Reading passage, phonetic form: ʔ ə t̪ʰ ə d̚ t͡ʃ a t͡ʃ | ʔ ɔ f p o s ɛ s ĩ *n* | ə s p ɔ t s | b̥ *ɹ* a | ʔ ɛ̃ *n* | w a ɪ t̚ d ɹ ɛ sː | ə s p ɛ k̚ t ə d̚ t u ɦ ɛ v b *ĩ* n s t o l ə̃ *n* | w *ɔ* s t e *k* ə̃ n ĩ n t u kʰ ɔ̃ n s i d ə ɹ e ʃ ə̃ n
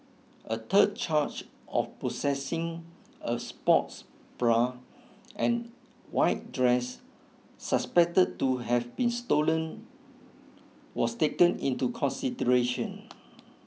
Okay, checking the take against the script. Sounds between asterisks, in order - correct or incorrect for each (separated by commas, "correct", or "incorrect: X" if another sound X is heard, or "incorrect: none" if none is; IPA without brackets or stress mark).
incorrect: ŋ, correct, correct, correct, correct, correct, correct